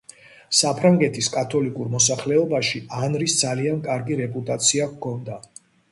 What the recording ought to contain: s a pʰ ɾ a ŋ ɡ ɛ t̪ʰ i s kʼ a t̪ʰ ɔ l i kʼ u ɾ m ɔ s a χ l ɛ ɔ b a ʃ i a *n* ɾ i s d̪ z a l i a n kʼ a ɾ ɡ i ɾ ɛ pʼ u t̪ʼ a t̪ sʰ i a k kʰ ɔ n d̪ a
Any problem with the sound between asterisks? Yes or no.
no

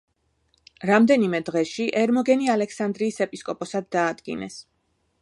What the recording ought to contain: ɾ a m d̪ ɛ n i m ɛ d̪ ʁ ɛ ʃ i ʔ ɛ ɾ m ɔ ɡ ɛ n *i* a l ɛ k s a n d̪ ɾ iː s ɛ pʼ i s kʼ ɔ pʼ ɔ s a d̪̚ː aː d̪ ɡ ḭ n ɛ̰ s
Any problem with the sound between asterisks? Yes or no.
no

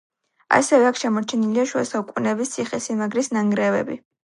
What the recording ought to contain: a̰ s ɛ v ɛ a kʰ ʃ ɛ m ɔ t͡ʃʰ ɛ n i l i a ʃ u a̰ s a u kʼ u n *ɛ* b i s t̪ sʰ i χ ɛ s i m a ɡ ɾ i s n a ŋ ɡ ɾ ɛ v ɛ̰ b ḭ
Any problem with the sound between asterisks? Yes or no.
no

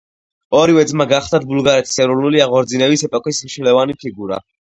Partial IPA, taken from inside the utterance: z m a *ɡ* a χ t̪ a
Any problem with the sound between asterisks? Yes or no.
no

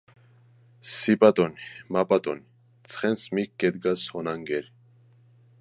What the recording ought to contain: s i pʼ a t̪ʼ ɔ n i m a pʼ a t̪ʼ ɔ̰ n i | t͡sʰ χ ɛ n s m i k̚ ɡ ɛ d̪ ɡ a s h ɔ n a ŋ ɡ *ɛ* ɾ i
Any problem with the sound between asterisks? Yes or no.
no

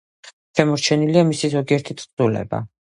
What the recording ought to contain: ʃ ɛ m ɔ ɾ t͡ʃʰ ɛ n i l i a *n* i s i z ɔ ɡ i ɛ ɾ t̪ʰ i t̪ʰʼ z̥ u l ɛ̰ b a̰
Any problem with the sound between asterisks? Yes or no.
yes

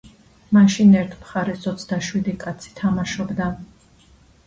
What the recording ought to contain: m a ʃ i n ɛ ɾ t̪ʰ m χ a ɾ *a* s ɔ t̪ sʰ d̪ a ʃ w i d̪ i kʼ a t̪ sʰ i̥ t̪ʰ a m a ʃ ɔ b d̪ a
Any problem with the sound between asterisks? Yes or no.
yes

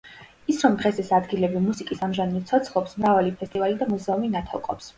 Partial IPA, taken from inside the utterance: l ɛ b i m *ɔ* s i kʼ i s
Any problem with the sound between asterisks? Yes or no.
yes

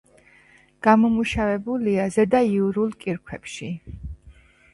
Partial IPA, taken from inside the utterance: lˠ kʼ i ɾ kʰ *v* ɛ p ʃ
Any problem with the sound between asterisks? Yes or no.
yes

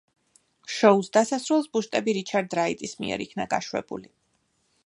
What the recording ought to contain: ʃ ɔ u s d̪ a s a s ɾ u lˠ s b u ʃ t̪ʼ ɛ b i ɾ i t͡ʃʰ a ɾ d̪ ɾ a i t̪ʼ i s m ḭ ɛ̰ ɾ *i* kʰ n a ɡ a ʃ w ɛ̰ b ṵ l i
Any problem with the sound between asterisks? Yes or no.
no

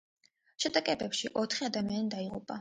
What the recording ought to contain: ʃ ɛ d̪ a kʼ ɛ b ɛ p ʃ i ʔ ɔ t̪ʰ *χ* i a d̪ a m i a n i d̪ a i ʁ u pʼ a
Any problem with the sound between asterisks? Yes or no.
no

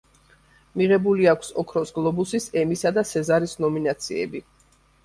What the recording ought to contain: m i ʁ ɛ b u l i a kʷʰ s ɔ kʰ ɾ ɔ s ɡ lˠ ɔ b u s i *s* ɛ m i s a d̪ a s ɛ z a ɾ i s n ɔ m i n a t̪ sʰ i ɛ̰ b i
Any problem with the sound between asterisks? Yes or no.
no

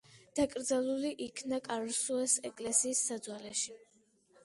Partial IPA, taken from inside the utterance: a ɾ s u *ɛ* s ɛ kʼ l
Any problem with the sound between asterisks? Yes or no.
no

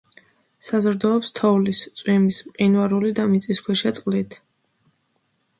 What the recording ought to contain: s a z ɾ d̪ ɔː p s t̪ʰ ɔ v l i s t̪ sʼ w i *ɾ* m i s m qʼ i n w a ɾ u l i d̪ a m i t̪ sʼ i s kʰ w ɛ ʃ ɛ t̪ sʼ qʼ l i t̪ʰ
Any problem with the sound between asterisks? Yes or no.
yes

